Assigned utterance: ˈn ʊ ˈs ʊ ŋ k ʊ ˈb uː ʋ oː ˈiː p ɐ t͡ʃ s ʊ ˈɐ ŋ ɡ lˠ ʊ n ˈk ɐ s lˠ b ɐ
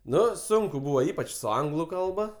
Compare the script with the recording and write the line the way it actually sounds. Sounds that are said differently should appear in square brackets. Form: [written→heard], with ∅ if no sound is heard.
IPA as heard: ˈn ʊ ˈs ʊ ŋ k ʊ ˈb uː ʋ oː ˈiː p ɐ t͡ʃ s ʊ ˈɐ ŋ ɡ lˠ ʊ [n→∅] ˈk ɐ [s→∅] lˠ b ɐ